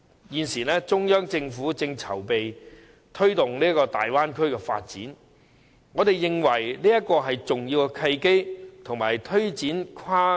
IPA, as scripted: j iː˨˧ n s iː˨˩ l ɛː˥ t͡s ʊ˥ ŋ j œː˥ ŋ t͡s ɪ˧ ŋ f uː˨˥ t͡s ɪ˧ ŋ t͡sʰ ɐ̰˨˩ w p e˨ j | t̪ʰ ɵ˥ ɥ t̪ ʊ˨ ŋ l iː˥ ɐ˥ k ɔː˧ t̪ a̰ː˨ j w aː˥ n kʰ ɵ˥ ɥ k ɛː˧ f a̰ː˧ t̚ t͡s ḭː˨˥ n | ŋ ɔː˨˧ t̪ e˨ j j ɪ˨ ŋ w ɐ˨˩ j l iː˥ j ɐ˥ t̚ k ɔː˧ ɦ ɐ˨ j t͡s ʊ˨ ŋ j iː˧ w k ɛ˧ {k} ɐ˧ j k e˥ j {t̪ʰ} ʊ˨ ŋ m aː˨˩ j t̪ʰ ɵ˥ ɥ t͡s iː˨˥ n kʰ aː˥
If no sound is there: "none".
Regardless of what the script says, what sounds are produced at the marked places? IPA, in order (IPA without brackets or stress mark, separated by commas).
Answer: kʰ, t̪ʰ